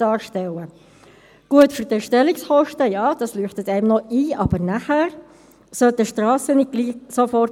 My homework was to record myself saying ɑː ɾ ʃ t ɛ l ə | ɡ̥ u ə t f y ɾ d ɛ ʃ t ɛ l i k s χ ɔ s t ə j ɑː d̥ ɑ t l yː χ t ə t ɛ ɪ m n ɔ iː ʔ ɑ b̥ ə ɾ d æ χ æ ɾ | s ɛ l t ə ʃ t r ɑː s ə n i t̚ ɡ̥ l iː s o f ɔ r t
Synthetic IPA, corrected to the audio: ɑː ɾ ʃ t ɛ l ə | ɡ̥ u ə t f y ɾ d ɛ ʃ t ɛ l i k s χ ɔ ʃ t ə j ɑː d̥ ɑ s l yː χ t ə t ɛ ɪ m n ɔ iː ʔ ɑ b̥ ə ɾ n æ χ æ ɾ | s œ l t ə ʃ t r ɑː s ə n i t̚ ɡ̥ l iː s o f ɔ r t